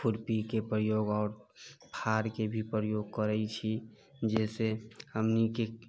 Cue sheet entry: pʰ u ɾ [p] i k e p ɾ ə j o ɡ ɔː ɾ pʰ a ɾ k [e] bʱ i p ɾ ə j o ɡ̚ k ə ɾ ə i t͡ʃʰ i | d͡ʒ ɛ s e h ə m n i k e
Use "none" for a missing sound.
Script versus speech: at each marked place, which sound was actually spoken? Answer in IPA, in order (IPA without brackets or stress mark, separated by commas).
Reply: p, e